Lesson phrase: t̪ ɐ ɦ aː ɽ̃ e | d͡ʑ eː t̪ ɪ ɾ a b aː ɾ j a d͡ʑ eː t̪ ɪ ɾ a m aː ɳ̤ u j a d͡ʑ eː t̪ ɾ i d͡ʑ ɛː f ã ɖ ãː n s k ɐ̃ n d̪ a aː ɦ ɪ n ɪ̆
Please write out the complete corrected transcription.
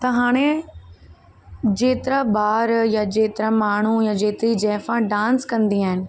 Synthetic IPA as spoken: t̪ ɐ ɦ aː ɽ̃ e | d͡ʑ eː t̪ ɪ ɾ a b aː ɾ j a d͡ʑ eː t̪ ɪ ɾ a m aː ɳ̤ u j a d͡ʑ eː t̪ ɾ i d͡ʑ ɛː f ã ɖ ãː n s k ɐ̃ n d̪ i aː ɦ ɪ n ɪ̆